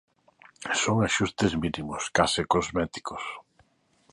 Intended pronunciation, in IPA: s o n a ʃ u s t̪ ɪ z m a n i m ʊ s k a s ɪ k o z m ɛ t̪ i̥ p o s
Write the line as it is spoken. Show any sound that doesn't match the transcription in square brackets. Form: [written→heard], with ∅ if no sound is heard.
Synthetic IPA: s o [n→ŋ] a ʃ u s t̪ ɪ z m [a→i] n i m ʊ s k a s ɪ k o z m ɛ t̪ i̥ [p→k] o s